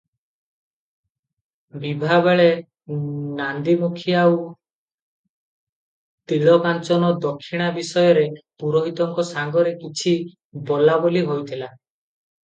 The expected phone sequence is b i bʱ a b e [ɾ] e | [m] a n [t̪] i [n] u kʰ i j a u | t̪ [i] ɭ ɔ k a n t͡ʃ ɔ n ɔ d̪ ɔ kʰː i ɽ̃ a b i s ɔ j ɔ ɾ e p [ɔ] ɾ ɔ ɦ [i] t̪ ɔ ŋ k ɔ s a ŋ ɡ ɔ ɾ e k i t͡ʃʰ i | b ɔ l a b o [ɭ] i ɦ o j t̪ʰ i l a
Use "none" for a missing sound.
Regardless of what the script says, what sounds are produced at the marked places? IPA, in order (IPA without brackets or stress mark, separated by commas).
ɭ, n, d̪, m, i, u, i, l